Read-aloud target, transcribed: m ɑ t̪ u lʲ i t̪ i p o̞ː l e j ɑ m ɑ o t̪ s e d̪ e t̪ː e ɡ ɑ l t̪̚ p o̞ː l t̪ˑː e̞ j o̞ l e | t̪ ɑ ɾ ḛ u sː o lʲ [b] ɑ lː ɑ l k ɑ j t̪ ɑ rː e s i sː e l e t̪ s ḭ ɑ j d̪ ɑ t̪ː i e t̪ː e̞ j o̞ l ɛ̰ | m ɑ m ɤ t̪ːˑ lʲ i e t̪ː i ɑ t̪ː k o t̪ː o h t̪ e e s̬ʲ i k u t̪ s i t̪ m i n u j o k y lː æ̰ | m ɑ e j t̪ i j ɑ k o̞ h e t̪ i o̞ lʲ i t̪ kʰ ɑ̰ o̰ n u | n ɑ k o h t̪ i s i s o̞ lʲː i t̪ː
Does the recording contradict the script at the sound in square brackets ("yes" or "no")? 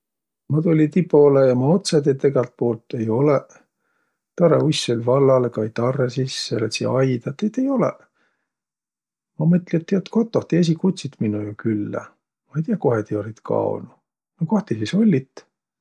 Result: yes